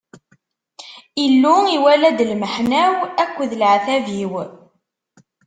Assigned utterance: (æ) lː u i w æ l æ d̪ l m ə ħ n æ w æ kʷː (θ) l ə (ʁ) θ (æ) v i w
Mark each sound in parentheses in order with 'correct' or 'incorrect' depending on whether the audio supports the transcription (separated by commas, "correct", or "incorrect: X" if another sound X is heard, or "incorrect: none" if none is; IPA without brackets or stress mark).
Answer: incorrect: i, incorrect: ð, incorrect: ʕ, correct